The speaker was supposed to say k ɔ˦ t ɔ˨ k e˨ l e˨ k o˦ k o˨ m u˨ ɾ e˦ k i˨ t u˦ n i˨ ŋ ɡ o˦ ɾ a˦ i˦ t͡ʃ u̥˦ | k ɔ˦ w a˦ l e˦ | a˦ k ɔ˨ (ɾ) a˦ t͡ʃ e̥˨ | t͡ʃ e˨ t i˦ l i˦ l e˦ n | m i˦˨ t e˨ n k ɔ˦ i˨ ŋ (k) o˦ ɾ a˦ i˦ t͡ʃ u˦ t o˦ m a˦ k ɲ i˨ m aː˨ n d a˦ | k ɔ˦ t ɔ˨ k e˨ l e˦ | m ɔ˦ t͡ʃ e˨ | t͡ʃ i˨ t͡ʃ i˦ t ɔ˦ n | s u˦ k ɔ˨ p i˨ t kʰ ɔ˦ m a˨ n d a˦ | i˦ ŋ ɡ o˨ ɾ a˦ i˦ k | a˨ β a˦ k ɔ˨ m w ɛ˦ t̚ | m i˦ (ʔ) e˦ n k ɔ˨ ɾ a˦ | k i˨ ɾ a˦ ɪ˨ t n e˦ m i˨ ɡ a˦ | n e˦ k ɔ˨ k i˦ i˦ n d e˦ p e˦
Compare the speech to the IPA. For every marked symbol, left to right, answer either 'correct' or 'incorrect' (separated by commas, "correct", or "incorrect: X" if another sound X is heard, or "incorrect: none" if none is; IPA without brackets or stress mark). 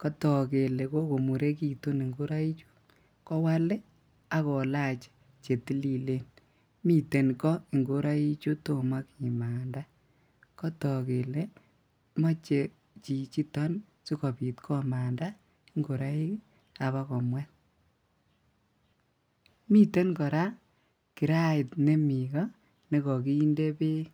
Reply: incorrect: l, incorrect: ɡ, incorrect: t